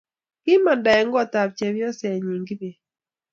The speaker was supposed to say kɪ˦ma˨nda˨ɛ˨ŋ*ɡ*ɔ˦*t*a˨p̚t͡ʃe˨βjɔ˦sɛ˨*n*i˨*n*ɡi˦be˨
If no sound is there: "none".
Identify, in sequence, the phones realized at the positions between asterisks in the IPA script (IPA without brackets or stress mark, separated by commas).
ɡ, t, ɲ, ŋ